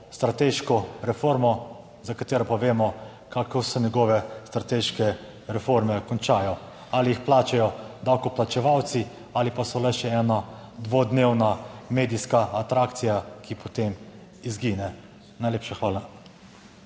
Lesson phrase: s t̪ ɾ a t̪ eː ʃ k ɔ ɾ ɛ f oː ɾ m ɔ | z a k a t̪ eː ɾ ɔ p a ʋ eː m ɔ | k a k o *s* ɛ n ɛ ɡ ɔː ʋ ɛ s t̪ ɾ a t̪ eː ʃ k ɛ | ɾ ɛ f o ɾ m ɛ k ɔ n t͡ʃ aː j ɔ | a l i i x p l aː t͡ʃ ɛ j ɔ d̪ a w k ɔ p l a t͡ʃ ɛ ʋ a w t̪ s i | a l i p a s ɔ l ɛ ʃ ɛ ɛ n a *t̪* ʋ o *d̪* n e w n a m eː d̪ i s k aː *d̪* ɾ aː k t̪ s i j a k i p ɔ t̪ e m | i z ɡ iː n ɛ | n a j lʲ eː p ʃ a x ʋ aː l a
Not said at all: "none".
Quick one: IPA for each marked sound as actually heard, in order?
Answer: s, d̪, d̪, t̪

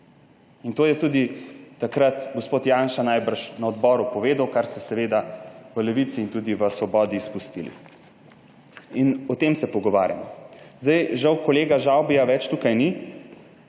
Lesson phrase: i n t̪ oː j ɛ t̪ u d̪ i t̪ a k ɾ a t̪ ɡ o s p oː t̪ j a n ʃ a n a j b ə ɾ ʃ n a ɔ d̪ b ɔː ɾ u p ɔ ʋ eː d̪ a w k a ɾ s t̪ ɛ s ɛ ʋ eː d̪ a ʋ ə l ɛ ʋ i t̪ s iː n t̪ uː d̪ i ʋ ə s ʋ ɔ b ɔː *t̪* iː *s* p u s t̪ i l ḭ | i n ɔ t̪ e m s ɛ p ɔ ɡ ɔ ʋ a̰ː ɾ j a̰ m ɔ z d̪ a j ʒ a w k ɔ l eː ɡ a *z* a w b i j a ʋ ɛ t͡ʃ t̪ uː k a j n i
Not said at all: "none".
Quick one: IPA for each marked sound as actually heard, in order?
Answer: d̪, s, ʒ

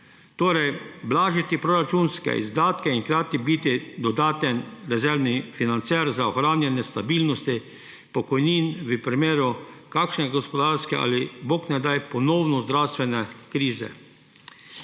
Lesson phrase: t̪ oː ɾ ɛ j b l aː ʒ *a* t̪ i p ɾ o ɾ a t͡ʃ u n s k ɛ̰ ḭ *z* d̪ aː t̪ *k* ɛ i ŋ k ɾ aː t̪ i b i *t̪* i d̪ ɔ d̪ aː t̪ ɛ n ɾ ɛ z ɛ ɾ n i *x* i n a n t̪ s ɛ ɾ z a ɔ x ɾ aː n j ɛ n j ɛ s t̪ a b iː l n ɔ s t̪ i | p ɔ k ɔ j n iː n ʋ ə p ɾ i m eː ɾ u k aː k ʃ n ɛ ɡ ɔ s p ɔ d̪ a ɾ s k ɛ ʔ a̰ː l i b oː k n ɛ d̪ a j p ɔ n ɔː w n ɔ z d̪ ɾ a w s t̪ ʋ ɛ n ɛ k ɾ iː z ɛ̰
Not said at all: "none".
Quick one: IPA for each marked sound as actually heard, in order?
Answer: i, z, k, t̪, f

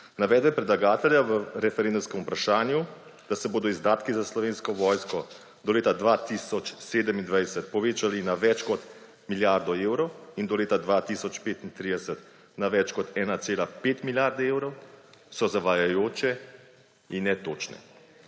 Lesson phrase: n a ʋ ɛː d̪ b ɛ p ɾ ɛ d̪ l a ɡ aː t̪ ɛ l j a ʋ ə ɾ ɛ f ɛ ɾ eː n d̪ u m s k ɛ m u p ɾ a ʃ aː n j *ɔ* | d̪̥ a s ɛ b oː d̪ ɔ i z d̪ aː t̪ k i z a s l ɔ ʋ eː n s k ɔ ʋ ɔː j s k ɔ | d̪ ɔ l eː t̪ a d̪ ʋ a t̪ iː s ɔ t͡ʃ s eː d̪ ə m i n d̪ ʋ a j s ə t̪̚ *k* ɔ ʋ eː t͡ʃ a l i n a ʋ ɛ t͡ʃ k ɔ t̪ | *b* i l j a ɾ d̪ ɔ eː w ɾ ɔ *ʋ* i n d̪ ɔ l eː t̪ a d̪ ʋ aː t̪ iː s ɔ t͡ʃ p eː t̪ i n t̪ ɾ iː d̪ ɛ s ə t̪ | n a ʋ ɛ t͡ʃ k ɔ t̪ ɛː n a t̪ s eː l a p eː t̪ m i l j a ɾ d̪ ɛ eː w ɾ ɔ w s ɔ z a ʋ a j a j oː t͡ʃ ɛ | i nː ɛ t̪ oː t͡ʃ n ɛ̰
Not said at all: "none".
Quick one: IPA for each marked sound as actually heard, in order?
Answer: u, p, m, w

